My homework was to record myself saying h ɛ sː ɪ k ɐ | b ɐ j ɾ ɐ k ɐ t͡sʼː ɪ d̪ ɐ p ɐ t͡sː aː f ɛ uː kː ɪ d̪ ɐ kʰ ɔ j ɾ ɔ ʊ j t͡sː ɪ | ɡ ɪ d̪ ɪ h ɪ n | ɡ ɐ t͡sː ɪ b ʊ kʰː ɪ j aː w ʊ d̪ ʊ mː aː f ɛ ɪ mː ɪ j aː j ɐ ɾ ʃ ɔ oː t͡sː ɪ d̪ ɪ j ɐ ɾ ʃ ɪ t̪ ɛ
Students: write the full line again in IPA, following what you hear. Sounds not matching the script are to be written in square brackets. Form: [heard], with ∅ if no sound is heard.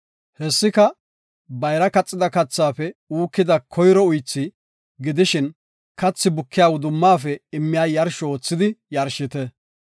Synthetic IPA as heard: h ɛ sː ɪ k ɐ | b ɐ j ɾ ɐ k ɐ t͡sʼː ɪ d̪ ɐ [k] ɐ t͡sː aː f ɛ uː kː ɪ d̪ ɐ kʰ ɔ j ɾ ɔ ʊ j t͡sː ɪ | ɡ ɪ d̪ ɪ [ʃ] ɪ n | [k] ɐ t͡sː ɪ b ʊ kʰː ɪ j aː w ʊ d̪ ʊ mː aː f ɛ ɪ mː ɪ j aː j ɐ ɾ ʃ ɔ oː t͡sː ɪ d̪ ɪ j ɐ ɾ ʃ ɪ t̪ ɛ